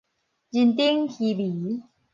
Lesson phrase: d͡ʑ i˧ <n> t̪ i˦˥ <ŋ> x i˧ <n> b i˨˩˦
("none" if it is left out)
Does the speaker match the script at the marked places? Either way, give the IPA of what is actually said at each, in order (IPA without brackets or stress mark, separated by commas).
n, ŋ, none